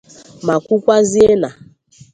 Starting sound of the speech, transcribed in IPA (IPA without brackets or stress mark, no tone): m